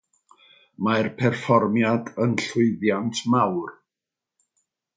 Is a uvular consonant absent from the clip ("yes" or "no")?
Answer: yes